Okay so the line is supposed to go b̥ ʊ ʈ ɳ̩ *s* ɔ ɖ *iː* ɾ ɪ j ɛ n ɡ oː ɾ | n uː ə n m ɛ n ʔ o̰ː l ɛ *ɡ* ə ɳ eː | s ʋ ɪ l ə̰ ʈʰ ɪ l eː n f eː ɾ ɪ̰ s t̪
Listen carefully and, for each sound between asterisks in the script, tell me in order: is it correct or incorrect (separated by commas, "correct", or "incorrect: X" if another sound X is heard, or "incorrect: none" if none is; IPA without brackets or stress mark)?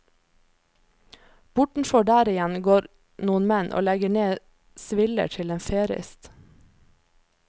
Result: incorrect: f, incorrect: æː, correct